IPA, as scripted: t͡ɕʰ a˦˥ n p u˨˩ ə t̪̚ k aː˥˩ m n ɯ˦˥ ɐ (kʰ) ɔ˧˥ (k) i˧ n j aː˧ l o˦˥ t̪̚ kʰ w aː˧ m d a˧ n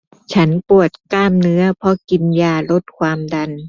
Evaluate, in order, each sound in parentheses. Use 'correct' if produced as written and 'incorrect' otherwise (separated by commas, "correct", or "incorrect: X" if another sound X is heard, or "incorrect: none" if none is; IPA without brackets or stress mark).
incorrect: pʰ, correct